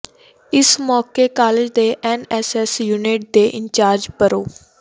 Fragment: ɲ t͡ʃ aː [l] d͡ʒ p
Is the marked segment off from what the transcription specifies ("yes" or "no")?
yes